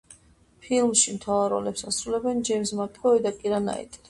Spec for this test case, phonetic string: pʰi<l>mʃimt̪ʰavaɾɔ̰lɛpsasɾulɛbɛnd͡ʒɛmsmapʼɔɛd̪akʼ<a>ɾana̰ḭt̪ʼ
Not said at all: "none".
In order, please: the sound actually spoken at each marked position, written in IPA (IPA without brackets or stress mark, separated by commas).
l, i